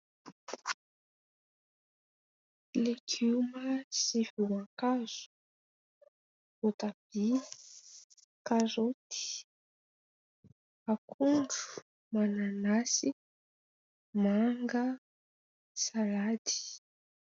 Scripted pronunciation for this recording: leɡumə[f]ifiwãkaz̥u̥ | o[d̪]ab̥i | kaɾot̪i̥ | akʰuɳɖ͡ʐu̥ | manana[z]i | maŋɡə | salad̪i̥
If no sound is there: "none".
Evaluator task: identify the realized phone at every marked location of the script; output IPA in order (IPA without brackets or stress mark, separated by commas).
s, t̪, s